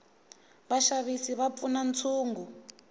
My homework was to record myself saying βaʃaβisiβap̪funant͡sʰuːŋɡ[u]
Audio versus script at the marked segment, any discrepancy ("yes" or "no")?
no